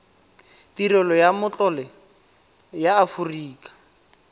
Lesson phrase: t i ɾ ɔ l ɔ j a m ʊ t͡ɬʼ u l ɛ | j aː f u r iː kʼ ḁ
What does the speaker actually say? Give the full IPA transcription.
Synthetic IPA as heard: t i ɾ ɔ l ɔ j a m ʊ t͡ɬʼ ɔ l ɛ | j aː f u r iː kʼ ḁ